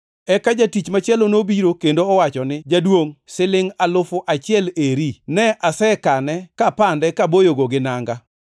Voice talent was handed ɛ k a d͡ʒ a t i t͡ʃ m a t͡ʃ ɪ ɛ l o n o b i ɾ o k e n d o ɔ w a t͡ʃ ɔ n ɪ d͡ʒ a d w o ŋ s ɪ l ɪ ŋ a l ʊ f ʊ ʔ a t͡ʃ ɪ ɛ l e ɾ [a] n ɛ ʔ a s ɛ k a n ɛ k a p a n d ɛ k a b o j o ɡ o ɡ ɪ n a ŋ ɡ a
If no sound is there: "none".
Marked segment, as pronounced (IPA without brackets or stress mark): i